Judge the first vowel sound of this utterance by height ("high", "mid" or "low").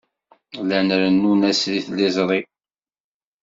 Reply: low